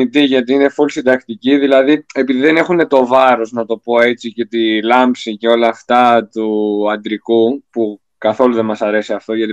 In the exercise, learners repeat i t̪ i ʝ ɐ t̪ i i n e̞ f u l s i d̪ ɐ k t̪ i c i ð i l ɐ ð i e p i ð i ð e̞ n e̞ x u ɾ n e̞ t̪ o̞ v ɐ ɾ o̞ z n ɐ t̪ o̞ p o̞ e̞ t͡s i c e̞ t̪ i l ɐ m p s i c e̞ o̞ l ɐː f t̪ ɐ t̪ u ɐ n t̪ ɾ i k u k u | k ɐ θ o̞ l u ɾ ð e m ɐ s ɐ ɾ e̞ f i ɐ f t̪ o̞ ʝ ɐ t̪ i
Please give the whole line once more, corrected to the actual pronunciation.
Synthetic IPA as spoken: i t̪ i ʝ ɐ t̪ i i n e̞ f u l s i d̪ ɐ k t̪ i c i ð i l ɐ ð i e p i ð i ð e̞ n e̞ x u n e̞ t̪ o̞ v ɐ ɾ o̞ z n ɐ t̪ o̞ p o̞ e̞ t͡s i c e̞ t̪ i l ɐ m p s i c e̞ o̞ l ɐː f t̪ ɐ t̪ u ɐ n d̪ ɾ i k u p u | k ɐ θ o̞ l u ð e m ɐ s ɐ ɾ e̞ s i ɐ f t̪ o̞ ʝ ɐ t̪ i